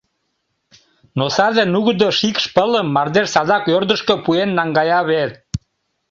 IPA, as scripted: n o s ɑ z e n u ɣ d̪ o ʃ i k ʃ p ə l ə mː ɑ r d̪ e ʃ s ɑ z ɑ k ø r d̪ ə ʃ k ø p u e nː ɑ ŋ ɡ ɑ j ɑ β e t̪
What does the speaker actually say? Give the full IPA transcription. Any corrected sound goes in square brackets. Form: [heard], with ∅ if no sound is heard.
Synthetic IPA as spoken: n o s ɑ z e n u ɣ d̪ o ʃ i k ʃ p ə l ə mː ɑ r d̪ e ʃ s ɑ z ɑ k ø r d̪ ə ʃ k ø p u e nː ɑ ŋ ɡ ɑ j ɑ β e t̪